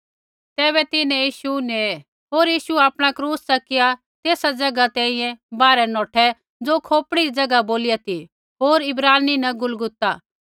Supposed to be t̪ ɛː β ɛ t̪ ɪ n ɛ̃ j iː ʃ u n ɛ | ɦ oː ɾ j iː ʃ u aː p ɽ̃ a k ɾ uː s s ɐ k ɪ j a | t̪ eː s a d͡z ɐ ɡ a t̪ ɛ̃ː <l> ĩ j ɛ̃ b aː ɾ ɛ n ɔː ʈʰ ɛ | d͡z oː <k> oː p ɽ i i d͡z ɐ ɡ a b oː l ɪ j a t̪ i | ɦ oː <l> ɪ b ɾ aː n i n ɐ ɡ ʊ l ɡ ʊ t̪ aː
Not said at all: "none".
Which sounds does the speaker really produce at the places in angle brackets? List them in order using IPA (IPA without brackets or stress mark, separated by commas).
none, kʰ, ɾ